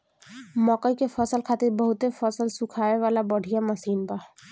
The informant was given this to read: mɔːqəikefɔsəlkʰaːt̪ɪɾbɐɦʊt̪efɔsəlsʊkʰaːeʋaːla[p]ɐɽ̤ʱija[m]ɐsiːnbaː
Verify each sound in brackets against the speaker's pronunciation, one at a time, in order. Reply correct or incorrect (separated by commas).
incorrect, correct